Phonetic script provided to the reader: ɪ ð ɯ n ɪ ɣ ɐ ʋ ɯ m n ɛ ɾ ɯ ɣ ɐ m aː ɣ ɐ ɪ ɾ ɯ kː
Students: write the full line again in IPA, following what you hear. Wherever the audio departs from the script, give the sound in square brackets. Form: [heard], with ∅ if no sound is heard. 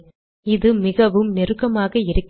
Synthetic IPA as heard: ɪ ð ɯ [m] ɪ ɣ ɐ ʋ ɯ m n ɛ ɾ ɯ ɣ ɐ m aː ɣ ɐ ɪ ɾ ɯ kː